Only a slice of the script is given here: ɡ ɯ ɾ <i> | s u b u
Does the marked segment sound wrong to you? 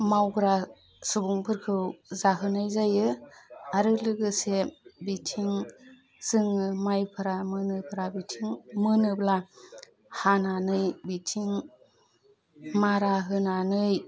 yes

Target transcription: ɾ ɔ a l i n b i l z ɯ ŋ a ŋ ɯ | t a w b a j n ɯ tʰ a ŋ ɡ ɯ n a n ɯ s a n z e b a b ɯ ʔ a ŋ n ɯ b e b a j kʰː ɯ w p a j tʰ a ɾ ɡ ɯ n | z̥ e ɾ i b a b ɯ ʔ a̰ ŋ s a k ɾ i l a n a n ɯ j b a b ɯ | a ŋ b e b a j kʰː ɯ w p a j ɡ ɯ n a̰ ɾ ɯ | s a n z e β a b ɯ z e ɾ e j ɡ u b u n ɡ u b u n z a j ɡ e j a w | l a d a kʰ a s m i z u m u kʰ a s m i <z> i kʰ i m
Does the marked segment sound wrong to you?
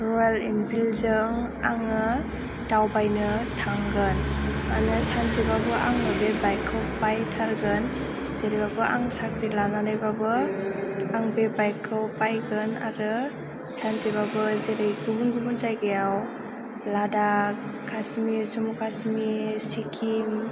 yes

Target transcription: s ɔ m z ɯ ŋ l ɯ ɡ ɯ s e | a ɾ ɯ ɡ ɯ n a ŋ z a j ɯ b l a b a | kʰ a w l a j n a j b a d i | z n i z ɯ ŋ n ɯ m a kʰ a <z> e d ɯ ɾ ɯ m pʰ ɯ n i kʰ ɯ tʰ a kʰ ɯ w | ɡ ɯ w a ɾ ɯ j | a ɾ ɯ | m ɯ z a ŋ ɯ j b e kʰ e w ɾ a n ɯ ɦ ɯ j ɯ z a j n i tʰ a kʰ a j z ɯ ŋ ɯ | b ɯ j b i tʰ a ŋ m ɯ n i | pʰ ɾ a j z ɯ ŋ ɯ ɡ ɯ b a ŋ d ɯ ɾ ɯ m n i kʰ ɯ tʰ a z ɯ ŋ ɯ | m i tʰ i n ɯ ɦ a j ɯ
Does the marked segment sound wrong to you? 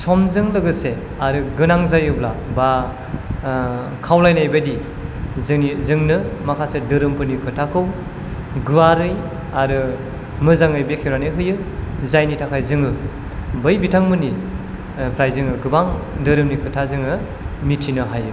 yes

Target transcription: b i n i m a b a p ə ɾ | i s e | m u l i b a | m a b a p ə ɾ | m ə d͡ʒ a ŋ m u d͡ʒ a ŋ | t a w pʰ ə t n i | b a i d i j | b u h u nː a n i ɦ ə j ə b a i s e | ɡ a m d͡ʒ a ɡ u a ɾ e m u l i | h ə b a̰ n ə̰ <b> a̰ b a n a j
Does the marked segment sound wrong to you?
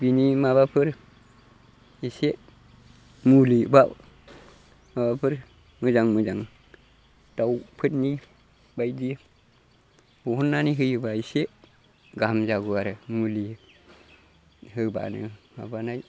yes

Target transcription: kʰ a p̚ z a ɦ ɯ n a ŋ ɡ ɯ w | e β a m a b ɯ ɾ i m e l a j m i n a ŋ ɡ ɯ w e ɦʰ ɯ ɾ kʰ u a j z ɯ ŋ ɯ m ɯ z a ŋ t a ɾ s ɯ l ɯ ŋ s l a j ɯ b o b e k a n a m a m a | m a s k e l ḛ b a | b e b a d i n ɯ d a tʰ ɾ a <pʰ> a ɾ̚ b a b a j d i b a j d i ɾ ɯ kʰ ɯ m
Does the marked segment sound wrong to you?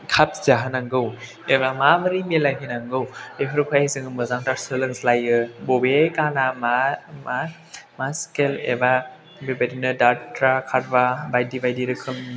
yes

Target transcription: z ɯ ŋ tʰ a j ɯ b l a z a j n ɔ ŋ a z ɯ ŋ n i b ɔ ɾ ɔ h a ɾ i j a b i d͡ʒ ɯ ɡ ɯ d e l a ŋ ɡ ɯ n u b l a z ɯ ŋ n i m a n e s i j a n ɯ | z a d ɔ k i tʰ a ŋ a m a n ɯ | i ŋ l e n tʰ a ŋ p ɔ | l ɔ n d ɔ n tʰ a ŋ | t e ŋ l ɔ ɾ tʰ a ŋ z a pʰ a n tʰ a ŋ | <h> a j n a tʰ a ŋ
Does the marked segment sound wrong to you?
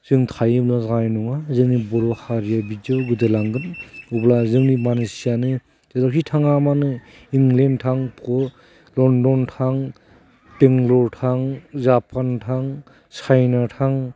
yes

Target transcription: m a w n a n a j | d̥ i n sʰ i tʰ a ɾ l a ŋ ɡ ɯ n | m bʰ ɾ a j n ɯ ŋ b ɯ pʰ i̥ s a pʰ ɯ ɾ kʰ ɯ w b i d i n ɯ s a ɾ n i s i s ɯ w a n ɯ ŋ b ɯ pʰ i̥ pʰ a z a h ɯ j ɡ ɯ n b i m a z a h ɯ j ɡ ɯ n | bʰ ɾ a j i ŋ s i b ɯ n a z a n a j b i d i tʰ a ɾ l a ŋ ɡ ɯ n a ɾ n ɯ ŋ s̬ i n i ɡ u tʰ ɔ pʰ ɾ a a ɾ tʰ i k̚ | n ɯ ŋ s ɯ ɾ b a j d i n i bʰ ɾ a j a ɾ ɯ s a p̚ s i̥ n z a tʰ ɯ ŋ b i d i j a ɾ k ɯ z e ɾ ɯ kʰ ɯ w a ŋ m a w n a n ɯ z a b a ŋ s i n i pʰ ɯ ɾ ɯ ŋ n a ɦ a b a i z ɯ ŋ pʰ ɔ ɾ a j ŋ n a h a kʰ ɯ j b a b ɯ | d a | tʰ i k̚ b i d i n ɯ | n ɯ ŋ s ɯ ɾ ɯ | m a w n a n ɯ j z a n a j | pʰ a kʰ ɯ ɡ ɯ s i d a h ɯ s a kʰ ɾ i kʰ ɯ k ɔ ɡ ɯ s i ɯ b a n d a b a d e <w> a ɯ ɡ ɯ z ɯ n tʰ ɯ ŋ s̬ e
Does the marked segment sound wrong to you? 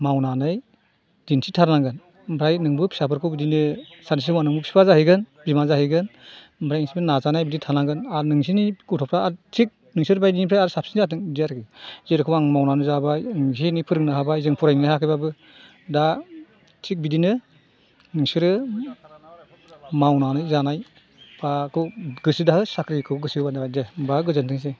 yes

